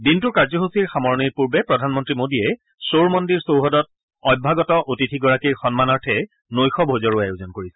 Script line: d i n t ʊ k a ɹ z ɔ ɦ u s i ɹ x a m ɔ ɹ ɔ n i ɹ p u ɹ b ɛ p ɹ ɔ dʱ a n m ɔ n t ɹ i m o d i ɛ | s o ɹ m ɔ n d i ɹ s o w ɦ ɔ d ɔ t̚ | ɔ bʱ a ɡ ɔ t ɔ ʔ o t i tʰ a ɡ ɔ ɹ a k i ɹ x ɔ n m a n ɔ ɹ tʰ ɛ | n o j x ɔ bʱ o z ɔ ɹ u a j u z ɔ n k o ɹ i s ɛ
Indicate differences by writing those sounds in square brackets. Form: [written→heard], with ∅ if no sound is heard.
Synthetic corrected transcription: d i n t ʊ k a ɹ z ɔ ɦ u s i ɹ x a m ɔ ɹ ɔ n i ɹ p u ɹ b ɛ p ɹ ɔ dʱ a n m ɔ n t ɹ i m o d i ɛ | s o ɹ m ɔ n d i ɹ s o w ɦ ɔ d ɔ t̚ | ɔ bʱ a ɡ ɔ t ɔ ʔ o t i tʰ [a→i] ɡ ɔ ɹ a k i ɹ x ɔ n m a n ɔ ɹ tʰ ɛ | n o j x ɔ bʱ o z ɔ ɹ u a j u z ɔ n k o ɹ i s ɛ